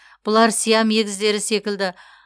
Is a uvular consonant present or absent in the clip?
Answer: absent